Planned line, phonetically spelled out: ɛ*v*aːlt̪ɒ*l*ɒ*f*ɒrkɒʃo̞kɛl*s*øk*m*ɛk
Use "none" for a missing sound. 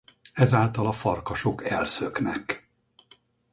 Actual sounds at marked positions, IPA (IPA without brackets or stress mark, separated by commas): z, l, f, s, n